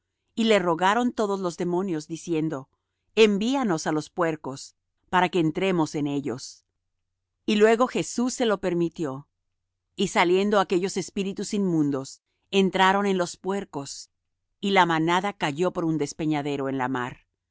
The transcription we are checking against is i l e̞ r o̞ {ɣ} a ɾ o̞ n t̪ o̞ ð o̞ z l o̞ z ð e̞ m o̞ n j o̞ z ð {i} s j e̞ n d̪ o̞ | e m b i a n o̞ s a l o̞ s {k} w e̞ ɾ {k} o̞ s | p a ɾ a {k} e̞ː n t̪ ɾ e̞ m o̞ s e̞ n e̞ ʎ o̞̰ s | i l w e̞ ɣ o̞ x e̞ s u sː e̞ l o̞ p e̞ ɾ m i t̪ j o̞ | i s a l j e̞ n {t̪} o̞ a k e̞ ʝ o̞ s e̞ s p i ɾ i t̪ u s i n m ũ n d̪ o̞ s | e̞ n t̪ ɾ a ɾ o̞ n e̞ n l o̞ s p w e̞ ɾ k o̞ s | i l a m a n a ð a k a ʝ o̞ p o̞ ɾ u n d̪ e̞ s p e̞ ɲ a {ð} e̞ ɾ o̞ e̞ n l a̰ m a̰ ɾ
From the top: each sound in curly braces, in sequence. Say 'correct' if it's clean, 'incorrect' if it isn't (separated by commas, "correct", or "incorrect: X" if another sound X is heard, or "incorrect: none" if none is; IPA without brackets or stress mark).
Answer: correct, correct, incorrect: p, correct, correct, incorrect: d̪, correct